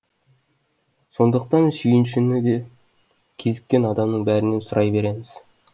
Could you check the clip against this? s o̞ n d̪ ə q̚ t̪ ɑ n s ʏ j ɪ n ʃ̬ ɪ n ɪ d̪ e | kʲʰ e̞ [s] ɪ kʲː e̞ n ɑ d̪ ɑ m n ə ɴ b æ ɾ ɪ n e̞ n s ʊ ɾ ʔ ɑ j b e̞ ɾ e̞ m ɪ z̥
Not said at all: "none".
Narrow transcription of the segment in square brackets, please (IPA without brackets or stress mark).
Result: z